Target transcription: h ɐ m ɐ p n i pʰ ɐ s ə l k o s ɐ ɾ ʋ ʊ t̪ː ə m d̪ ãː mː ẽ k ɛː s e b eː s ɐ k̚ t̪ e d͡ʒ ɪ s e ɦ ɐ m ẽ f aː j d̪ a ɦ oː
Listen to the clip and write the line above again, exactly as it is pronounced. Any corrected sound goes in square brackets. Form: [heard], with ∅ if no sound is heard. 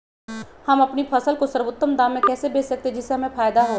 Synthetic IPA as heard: h ɐ m ɐ p n i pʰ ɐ s ə l k o s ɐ ɾ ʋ ʊ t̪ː ə m d̪ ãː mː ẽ k ɛː s e b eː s ɐ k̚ t̪ e d͡ʒ ɪ s e ɦ ɐ m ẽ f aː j d̪ a ɦ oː